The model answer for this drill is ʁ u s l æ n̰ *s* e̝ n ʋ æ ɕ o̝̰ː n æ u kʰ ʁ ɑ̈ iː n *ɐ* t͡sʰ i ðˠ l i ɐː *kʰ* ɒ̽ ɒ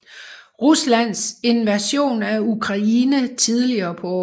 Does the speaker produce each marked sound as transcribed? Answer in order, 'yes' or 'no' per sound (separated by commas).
yes, no, no